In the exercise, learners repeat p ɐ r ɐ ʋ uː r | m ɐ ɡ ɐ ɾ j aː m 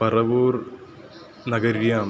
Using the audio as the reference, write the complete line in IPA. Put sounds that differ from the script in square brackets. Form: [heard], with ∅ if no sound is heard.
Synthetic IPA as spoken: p ɐ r ɐ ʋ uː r | [n] ɐ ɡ ɐ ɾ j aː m